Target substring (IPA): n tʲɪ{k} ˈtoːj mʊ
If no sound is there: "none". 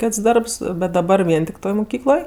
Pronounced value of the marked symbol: k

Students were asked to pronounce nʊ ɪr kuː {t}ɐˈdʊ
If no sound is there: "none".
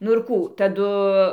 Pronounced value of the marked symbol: t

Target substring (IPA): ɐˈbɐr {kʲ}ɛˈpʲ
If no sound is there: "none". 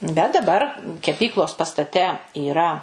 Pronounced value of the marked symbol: kʲ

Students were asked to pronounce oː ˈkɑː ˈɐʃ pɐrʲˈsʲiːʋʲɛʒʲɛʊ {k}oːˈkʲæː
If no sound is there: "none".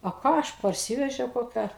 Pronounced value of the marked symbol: k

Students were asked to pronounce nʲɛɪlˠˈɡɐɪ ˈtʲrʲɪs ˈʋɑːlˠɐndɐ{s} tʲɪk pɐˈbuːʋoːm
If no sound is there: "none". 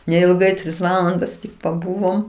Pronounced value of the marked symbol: s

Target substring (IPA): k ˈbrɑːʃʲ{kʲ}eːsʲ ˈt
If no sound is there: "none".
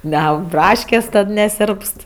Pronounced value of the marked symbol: kʲ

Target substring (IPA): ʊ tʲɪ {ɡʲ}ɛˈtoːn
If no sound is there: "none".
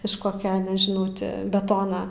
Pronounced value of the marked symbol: bʲ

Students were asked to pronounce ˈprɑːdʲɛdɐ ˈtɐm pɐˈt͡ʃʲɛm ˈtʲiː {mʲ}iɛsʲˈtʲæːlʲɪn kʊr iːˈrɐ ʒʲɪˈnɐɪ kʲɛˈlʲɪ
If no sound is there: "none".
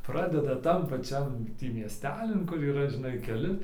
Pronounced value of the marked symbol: mʲ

